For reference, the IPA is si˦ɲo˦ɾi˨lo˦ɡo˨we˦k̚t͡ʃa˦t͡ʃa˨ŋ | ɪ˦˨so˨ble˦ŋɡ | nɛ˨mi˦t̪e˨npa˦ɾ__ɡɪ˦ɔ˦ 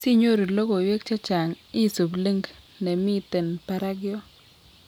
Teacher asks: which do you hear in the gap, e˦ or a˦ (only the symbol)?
a˦